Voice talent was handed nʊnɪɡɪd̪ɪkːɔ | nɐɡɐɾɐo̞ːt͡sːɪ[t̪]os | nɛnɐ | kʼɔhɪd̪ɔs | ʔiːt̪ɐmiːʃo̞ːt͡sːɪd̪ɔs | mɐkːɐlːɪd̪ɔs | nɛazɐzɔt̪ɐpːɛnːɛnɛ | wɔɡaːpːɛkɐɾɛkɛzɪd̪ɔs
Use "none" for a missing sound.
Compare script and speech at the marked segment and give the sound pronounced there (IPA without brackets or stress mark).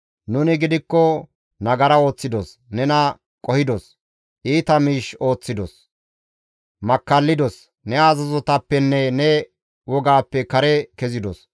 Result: d̪